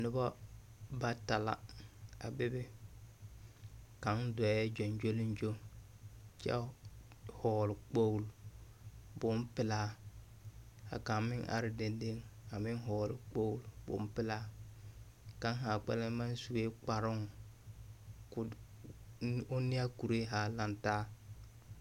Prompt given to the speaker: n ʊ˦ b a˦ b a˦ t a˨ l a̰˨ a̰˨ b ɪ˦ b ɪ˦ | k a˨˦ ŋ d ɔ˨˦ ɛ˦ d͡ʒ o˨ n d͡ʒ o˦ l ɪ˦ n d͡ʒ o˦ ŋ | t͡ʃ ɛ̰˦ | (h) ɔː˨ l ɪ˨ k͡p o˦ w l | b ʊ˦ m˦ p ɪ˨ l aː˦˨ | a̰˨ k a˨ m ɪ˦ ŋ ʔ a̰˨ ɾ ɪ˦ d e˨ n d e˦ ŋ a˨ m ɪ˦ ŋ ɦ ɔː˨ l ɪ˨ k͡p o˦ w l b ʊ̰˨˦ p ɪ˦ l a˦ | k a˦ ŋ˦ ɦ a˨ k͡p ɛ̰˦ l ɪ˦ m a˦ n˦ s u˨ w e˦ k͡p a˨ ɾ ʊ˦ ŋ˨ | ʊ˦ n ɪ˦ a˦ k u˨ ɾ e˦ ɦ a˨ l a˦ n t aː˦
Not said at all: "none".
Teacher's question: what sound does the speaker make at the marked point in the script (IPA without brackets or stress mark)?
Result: h